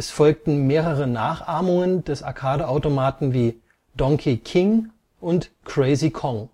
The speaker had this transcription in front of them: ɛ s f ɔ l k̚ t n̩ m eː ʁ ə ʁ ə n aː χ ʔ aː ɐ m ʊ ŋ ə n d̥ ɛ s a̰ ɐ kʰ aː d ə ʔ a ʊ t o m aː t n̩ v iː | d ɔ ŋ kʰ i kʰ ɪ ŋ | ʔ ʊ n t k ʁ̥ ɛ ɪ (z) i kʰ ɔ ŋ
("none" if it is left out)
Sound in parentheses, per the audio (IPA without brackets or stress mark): z